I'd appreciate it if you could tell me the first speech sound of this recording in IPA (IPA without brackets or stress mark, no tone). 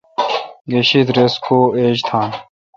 ɡ